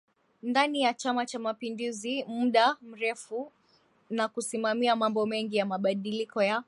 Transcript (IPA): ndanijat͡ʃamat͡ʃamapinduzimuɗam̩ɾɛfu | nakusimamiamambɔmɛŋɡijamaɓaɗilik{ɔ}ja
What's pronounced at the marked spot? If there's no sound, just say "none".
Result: ɔ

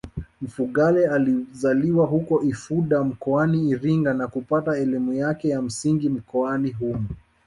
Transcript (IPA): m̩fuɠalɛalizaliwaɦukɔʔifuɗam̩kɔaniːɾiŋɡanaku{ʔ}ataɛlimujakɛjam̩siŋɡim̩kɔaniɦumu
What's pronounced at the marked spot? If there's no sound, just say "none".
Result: p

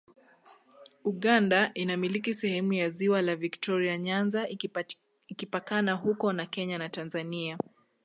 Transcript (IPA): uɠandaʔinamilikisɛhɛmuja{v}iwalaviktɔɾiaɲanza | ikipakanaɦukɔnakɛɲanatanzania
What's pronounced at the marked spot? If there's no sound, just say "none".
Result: z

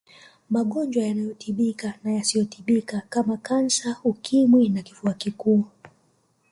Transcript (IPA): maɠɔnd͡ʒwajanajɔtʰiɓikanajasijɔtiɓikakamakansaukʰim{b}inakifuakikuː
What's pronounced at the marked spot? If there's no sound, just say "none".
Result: w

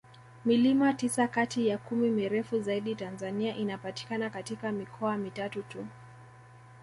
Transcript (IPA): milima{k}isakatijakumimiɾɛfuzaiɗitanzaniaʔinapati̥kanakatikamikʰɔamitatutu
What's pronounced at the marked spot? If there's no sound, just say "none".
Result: t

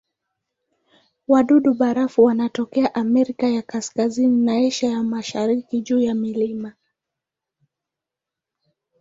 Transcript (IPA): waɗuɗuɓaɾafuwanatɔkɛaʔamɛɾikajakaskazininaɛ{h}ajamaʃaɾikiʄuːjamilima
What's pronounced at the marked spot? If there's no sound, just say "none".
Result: ʃ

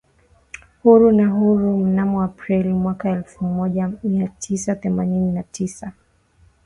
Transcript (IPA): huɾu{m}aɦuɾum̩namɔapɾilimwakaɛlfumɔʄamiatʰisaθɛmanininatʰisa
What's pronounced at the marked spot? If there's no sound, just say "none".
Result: n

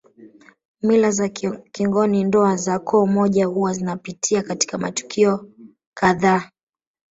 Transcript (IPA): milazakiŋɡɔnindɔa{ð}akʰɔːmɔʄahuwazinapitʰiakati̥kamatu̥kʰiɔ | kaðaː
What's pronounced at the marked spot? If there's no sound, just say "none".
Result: z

